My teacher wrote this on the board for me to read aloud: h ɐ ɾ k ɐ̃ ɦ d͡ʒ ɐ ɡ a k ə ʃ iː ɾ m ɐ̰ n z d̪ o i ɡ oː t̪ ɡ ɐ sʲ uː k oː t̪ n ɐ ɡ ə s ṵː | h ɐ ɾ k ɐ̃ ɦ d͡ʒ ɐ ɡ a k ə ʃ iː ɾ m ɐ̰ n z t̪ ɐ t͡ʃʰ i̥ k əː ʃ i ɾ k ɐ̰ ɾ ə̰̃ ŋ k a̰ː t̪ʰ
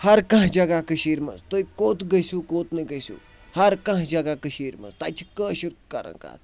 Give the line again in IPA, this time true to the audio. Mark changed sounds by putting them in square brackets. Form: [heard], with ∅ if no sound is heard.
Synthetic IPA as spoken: h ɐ ɾ k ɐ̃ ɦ d͡ʒ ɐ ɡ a k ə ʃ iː ɾ m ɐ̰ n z [t̪] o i [k] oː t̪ ɡ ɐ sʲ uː k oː t̪ n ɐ ɡ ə s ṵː | h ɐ ɾ k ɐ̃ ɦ d͡ʒ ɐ ɡ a k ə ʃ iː ɾ m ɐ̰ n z t̪ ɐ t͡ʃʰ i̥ k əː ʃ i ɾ k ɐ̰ ɾ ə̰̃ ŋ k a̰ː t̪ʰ